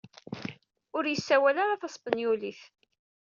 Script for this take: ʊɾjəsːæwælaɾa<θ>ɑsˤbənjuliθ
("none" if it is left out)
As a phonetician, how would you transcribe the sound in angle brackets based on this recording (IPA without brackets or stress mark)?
θ